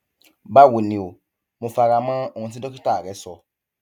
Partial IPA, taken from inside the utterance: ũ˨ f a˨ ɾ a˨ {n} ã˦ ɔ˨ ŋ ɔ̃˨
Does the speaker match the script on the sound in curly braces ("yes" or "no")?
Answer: no